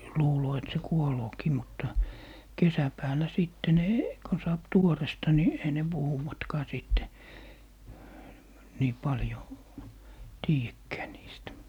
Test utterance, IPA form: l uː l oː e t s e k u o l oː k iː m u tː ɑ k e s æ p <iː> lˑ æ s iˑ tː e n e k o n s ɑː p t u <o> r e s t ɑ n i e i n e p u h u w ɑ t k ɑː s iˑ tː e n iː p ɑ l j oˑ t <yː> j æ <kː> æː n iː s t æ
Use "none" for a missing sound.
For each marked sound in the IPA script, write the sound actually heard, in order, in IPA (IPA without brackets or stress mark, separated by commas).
æː, o, iː, kː